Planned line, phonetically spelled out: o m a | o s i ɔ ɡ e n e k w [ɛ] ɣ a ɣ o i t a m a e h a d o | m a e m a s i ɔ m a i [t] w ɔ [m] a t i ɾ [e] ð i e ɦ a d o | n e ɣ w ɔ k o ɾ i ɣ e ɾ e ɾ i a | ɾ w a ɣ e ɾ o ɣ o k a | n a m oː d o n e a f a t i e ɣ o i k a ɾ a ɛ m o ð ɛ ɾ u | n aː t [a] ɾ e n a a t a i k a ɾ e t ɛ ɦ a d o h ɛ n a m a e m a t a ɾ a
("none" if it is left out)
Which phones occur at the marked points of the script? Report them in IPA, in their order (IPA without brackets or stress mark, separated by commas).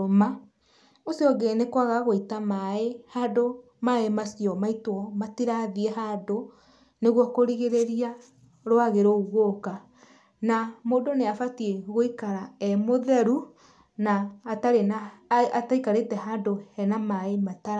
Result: a, t, m, a, a